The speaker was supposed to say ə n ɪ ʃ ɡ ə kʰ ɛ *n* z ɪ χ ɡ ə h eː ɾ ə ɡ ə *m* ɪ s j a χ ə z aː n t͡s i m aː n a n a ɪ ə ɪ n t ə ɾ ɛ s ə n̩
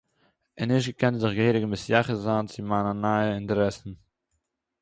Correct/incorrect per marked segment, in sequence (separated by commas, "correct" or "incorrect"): correct, correct